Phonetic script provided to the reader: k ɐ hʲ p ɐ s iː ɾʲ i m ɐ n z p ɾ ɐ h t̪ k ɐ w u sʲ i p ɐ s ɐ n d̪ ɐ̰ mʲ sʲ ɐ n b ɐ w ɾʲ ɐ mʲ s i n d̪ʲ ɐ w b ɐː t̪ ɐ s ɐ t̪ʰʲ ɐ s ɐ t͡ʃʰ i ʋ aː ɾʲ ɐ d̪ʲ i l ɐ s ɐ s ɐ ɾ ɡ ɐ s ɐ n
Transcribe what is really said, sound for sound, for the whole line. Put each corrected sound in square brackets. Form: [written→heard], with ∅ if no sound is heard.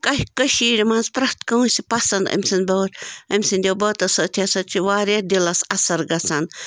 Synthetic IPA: k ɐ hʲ [p→k] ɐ [s→ʃ] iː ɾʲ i m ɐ n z p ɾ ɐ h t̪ k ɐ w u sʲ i p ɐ s ɐ n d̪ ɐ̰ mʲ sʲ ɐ n b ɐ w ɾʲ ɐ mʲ s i n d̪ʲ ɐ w b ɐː t̪ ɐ s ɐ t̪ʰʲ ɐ s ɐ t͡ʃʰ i ʋ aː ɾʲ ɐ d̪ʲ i l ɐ s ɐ s ɐ ɾ ɡ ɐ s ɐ n